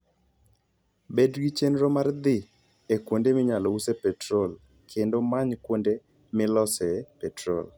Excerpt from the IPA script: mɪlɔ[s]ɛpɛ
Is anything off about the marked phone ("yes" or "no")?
no